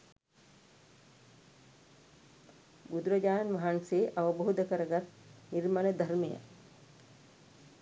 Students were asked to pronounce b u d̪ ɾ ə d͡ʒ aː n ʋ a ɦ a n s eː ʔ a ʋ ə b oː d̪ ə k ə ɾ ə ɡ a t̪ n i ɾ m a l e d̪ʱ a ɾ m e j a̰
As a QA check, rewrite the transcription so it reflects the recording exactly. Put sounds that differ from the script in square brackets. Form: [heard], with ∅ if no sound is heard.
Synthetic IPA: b u d̪ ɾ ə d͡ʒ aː n ʋ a ɦ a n s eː ʔ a ʋ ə b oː d̪ ə k ə ɾ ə ɡ a t̪ n i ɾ m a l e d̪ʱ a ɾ m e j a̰